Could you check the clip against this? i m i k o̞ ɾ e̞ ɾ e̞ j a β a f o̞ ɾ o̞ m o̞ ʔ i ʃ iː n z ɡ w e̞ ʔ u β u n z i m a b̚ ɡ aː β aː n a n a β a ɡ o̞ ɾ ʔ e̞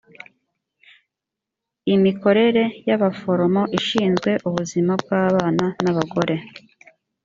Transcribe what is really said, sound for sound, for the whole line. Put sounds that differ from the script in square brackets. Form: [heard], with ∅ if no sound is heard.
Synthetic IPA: i m i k o̞ ɾ e̞ ɾ e̞ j a β a f o̞ ɾ o̞ m o̞ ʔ i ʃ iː n z ɡ w e̞ ʔ u β u [∅] z i m a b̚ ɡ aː β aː n a n a β a ɡ o̞ ɾ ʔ e̞